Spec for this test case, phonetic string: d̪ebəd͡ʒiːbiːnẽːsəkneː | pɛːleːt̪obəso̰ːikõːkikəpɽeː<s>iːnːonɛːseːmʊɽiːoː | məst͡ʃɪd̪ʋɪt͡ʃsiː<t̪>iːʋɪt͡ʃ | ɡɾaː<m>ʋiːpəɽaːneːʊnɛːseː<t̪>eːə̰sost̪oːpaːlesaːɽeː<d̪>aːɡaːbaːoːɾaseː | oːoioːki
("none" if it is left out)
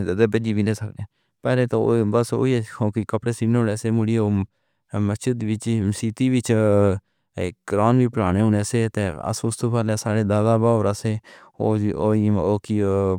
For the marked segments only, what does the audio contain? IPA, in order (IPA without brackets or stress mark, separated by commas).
s, t̪, n, t̪, d̪